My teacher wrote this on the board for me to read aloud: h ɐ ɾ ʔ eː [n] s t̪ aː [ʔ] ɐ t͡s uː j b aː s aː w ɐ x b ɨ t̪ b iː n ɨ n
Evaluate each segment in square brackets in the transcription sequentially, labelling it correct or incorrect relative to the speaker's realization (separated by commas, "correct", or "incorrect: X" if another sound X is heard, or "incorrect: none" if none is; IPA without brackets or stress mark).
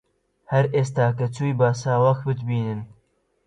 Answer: incorrect: none, incorrect: k